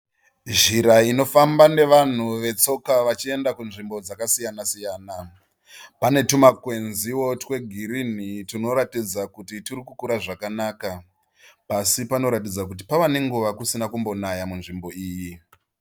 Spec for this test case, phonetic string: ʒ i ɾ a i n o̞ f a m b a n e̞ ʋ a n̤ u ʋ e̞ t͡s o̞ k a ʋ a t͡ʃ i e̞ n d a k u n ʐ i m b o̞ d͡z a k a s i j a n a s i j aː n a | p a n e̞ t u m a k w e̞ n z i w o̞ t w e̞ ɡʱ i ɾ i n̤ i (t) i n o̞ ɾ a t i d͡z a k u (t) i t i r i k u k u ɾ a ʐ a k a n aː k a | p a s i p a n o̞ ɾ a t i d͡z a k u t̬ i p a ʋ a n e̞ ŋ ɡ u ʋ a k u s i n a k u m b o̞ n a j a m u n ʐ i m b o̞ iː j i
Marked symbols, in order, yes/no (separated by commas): yes, yes